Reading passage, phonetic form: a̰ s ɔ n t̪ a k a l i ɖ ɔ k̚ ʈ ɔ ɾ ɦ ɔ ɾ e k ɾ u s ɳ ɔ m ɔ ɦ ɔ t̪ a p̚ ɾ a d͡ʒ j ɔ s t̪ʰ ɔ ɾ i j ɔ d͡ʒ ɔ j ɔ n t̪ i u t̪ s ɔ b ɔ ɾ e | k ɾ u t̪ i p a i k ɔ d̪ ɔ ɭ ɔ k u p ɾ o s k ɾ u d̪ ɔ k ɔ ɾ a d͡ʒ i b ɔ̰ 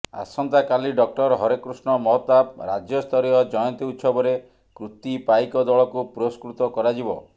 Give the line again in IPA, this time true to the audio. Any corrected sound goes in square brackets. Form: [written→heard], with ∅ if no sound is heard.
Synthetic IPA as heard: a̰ s ɔ n t̪ a k a l i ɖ ɔ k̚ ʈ ɔ ɾ ɦ ɔ ɾ e k ɾ u s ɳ ɔ m ɔ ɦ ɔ t̪ a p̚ ɾ a d͡ʒ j ɔ s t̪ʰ ɔ ɾ i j ɔ d͡ʒ ɔ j ɔ n t̪ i u t̪ s ɔ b ɔ ɾ e | k ɾ u t̪ i p a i k ɔ d̪ ɔ ɭ ɔ k u p ɾ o s k ɾ u [d̪→t̪] ɔ k ɔ ɾ a d͡ʒ i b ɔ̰